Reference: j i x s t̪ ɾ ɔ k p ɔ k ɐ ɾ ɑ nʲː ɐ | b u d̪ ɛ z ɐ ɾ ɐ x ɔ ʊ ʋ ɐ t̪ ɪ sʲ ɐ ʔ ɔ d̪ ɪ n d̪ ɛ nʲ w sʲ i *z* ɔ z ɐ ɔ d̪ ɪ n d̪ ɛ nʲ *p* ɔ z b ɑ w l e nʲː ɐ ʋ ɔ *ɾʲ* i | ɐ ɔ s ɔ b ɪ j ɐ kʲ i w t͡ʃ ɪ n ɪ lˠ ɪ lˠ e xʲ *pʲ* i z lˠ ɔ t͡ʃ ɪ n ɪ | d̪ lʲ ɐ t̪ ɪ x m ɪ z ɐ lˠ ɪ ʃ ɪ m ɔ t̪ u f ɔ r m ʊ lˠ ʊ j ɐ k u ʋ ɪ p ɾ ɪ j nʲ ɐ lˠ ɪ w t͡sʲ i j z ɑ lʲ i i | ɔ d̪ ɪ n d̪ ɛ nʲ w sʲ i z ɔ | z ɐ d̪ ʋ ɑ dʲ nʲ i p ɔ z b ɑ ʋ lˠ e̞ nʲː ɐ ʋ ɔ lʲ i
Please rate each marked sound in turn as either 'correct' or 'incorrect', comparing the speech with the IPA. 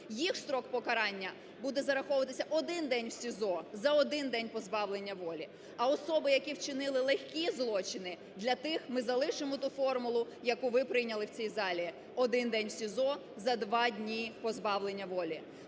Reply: correct, correct, incorrect, incorrect

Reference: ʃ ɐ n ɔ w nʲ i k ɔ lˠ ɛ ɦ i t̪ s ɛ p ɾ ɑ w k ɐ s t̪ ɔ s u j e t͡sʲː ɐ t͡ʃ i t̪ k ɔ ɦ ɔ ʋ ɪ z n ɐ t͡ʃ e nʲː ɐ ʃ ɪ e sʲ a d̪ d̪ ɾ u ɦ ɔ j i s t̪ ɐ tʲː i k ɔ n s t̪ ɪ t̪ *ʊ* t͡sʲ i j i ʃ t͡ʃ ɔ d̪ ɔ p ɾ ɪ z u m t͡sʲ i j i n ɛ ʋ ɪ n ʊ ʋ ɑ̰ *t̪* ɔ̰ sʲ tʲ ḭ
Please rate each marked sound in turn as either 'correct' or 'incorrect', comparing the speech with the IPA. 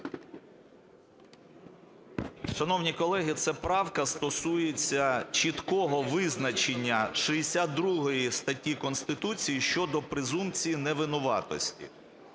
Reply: incorrect, correct

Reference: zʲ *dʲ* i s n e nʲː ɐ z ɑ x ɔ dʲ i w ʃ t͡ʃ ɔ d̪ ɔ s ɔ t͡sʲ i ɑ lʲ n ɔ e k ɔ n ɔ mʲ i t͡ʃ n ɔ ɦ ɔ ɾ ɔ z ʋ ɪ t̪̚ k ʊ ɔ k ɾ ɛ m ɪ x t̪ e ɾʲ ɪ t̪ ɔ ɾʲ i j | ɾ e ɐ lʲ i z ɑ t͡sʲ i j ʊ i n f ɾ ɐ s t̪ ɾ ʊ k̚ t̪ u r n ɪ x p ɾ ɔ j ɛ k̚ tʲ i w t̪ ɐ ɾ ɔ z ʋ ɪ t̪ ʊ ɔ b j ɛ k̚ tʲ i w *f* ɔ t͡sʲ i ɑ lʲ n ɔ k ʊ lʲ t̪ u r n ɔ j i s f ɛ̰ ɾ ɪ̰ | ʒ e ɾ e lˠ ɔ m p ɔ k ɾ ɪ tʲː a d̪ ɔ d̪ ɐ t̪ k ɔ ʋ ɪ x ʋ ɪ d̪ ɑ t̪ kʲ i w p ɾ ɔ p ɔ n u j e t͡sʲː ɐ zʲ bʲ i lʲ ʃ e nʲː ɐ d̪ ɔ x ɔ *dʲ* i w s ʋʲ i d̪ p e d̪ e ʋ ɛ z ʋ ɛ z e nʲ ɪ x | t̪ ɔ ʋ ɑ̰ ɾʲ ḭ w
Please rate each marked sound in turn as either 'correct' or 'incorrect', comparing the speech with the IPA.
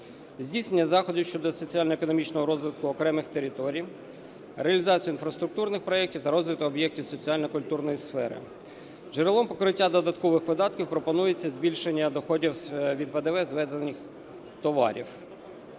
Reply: correct, incorrect, correct

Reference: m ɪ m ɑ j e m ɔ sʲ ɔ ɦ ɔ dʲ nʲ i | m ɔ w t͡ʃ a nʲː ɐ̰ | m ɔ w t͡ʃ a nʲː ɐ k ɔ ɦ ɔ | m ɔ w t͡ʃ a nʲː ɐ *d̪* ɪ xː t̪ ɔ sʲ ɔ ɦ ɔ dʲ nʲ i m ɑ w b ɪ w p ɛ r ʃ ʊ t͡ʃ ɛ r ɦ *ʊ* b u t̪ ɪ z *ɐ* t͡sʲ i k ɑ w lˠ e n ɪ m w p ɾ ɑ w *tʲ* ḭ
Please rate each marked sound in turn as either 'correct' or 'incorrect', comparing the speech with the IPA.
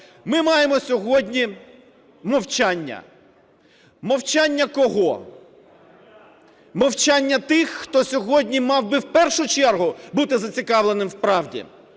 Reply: incorrect, correct, correct, incorrect

